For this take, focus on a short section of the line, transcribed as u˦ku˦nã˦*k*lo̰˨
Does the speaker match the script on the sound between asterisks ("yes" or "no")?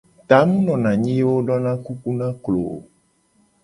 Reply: yes